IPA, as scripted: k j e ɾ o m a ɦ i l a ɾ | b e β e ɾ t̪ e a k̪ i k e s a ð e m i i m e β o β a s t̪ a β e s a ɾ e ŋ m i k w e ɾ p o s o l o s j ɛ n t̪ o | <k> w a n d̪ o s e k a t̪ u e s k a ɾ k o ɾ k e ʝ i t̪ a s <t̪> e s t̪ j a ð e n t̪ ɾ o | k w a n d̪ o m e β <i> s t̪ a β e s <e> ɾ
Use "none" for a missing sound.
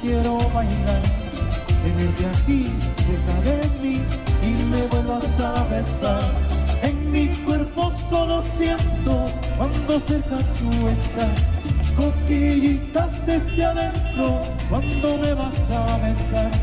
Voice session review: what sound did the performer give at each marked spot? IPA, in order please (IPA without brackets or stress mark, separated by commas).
k, t̪, a, a